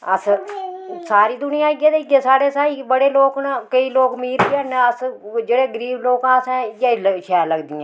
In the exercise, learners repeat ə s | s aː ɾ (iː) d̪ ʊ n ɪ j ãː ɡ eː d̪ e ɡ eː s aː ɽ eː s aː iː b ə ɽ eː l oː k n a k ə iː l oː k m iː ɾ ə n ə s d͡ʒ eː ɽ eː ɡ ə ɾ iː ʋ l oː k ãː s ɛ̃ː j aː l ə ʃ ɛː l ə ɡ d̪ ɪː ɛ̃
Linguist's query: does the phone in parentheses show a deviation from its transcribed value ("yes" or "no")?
no